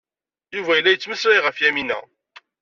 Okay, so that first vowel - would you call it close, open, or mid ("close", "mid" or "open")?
close